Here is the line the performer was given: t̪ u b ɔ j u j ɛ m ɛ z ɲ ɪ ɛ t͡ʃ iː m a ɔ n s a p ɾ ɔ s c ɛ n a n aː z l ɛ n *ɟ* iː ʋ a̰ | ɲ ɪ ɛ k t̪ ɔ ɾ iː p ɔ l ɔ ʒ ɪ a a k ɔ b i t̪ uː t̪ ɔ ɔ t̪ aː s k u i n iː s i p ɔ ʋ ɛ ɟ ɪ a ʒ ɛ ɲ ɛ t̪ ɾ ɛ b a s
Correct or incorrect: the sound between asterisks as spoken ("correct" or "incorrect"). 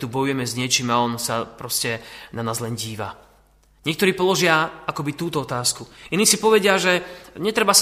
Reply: correct